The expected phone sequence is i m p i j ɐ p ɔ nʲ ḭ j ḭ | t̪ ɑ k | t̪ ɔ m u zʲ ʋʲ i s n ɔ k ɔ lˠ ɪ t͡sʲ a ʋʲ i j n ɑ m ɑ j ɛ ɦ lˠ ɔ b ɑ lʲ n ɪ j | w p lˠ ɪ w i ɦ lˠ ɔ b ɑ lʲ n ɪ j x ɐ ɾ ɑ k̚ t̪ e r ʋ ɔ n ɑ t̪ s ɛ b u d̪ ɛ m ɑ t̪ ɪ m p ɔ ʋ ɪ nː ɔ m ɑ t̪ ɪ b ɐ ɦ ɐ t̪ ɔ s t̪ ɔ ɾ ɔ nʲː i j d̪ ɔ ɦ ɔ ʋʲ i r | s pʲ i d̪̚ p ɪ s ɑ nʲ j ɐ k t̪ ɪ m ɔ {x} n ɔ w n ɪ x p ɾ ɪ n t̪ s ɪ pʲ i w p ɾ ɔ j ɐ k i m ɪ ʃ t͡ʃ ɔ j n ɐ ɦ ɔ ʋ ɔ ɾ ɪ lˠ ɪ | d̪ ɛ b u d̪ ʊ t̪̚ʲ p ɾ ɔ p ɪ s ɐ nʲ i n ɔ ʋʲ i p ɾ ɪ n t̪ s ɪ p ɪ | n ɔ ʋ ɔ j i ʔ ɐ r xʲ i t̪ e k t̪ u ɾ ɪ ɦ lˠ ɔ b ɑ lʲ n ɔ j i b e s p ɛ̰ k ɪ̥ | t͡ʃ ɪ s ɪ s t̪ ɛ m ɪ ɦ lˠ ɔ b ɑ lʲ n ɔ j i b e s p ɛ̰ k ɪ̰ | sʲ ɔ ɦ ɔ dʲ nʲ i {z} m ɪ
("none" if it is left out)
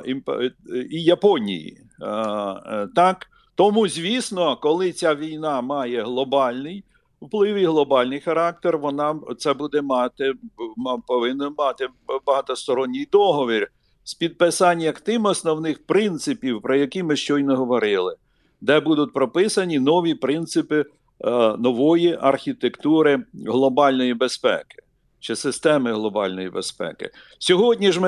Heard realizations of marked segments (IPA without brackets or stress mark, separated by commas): s, ʒ